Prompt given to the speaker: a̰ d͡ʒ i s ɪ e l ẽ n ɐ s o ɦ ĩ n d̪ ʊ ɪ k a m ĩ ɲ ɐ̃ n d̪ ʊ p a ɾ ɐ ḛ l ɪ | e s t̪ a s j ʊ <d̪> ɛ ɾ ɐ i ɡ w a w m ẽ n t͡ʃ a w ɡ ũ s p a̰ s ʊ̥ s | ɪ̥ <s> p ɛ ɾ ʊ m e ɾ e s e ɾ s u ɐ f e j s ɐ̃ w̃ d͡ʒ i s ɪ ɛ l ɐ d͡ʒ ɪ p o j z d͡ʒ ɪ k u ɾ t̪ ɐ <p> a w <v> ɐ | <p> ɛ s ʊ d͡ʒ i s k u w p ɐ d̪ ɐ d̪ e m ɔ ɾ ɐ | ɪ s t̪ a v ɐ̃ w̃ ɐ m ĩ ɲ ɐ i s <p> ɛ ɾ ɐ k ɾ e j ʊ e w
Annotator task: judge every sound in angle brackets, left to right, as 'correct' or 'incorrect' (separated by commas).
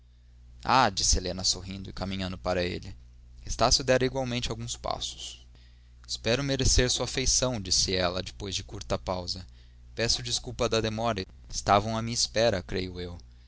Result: correct, correct, correct, incorrect, correct, correct